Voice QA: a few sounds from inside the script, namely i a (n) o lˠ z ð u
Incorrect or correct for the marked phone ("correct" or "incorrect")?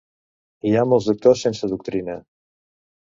incorrect